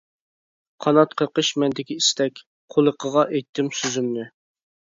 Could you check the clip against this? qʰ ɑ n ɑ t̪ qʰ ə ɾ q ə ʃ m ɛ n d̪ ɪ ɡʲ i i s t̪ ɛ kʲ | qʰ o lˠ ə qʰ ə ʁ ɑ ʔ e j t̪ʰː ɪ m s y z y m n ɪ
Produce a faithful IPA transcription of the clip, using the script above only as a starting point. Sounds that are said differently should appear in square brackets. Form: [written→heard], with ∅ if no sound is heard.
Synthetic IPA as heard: qʰ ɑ n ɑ t̪ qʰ ə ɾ q ə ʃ m ɛ n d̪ ɪ [ɡʲ→kʲ] i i s t̪ ɛ kʲ | qʰ o lˠ ə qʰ ə ʁ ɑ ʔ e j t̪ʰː ɪ m s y z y m n ɪ